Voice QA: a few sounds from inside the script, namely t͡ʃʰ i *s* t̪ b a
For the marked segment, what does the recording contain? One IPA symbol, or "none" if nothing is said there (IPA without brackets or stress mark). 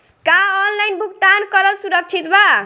none